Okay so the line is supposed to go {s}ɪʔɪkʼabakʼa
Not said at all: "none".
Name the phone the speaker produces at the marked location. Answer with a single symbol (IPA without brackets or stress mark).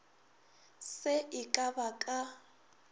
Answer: s